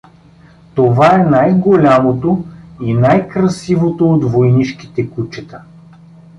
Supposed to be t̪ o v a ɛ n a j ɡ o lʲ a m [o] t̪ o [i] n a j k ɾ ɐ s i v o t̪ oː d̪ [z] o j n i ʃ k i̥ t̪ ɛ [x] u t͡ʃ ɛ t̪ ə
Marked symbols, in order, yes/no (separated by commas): yes, yes, no, no